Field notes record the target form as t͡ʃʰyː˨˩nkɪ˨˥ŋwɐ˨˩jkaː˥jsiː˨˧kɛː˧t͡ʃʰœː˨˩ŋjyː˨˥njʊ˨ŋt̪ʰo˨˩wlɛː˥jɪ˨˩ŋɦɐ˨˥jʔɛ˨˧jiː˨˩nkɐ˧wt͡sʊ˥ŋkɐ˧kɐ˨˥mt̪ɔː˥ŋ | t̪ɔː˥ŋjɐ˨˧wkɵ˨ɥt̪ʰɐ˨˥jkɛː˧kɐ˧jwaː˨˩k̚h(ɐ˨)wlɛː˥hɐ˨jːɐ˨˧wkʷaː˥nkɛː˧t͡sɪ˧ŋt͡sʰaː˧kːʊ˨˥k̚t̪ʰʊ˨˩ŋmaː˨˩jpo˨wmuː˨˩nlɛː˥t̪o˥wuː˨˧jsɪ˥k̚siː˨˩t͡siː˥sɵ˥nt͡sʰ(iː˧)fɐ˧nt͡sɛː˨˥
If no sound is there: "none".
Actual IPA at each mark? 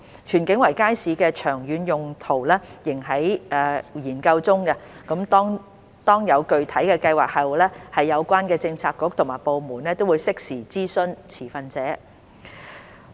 ɐ˨, iː˨˩

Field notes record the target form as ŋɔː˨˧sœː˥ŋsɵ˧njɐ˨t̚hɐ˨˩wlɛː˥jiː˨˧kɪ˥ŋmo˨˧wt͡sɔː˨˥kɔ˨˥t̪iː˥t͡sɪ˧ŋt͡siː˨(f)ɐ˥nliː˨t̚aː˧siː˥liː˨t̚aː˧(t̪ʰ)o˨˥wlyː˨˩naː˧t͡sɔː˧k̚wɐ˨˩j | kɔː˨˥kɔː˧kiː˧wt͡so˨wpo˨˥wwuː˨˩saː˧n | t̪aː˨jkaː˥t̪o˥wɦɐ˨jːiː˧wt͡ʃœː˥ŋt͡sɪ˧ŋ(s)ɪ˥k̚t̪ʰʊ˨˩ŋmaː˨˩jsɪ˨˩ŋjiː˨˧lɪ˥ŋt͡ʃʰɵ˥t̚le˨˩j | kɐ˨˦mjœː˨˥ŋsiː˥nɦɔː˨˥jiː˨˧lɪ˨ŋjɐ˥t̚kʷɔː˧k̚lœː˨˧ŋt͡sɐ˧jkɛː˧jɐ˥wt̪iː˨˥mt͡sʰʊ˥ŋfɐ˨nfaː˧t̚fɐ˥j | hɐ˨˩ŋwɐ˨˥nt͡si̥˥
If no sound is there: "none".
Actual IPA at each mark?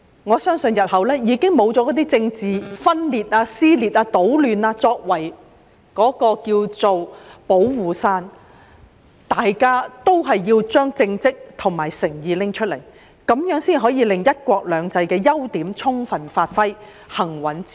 f, t̪, t͡s

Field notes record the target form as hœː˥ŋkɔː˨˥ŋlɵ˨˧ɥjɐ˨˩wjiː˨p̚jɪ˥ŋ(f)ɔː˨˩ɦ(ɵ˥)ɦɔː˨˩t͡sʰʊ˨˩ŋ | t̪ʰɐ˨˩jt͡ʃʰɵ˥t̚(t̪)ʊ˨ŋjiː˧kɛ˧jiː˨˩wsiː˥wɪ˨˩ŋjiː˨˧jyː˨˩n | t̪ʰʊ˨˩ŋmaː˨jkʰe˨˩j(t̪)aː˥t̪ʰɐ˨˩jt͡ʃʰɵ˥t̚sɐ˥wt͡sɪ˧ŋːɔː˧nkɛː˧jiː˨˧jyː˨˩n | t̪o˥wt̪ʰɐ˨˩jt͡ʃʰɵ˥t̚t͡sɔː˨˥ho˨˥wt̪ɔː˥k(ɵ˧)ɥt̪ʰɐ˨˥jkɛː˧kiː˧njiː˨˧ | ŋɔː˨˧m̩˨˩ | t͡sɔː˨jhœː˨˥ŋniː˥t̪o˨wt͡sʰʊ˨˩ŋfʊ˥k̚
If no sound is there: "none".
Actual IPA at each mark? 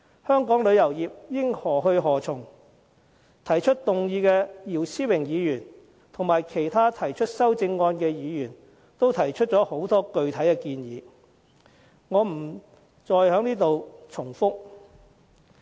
h, ɵ˧, t̪, t̪ʰ, ɵ˧

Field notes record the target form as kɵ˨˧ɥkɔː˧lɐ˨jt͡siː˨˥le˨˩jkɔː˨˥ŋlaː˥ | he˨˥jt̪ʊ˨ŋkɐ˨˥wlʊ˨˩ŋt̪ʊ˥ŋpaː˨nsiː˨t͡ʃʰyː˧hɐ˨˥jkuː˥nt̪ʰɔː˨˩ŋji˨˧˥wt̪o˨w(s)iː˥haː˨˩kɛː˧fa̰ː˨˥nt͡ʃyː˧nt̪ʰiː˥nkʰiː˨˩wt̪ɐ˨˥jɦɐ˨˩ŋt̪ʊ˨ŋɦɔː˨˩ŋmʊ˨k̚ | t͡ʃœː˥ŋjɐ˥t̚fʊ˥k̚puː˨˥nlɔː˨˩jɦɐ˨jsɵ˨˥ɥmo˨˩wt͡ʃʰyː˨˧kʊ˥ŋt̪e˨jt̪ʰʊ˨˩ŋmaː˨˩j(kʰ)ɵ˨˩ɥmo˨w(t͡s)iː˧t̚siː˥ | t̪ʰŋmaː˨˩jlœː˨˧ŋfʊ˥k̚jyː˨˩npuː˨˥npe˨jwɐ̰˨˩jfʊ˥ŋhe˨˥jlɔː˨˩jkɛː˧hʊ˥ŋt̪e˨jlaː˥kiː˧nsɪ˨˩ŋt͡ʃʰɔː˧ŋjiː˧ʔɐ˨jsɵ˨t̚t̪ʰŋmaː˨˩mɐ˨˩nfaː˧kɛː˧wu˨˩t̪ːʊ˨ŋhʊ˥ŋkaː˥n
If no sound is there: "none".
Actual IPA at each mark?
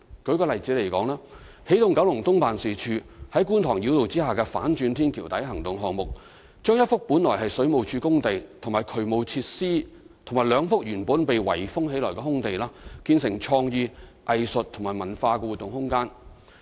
t͡s, kʰ, t͡sʰ

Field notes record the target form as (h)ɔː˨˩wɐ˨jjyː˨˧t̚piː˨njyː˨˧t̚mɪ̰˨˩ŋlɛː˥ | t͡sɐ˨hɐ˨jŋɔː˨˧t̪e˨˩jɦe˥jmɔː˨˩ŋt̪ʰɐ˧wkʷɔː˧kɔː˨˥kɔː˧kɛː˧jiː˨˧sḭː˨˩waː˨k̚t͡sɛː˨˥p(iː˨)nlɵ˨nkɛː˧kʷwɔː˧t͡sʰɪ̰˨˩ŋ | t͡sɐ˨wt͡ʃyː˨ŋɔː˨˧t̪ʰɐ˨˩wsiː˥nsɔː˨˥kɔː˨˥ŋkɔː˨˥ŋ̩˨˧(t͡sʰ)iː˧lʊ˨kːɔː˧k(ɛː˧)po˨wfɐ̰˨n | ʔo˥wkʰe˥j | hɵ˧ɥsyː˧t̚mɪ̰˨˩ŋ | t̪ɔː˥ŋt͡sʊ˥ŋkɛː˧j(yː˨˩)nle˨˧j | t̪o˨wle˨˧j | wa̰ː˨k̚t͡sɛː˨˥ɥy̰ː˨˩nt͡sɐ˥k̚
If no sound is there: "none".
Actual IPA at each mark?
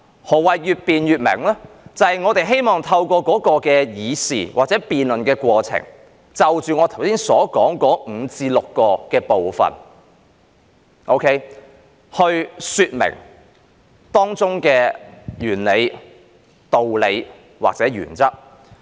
h, iː˨, t͡s, ɛː˧, yː˨˩

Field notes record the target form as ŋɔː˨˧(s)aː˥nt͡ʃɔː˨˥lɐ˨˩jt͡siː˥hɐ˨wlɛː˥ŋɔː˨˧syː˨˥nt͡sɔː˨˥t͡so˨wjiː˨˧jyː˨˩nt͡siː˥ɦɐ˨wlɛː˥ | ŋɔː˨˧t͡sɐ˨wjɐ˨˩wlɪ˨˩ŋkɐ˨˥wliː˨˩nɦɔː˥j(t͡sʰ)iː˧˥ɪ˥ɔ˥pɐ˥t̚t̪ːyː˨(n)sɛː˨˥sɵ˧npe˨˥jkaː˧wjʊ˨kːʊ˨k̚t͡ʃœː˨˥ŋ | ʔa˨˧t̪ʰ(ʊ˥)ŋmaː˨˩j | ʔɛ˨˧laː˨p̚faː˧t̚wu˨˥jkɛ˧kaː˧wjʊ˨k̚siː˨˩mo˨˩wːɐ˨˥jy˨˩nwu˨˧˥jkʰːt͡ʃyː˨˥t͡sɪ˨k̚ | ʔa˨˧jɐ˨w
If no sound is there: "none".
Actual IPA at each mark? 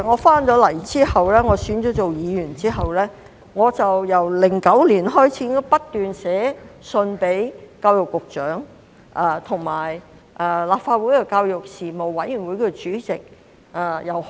f, t͡sʰ, n, ʊ˨˩

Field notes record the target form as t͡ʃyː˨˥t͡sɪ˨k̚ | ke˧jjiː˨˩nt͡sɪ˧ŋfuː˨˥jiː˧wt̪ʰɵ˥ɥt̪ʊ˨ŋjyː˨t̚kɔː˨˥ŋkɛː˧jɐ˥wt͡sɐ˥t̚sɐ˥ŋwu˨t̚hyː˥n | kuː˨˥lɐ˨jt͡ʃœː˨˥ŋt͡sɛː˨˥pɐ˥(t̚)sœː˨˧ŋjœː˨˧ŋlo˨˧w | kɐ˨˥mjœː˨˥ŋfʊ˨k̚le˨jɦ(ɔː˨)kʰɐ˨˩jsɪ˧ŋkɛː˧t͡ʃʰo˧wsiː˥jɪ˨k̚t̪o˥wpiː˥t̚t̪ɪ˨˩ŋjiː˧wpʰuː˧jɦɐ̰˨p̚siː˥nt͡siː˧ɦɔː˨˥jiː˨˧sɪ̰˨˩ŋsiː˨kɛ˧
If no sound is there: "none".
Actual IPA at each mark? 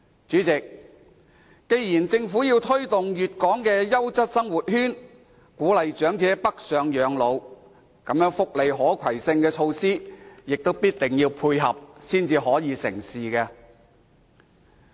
k̚, ɔː˨˥

